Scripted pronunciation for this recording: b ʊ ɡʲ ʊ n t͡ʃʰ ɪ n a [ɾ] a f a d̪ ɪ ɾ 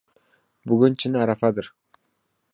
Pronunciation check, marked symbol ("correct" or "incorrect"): correct